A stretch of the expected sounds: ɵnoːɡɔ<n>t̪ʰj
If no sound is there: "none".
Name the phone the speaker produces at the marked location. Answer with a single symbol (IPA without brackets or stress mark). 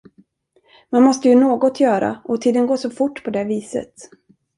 none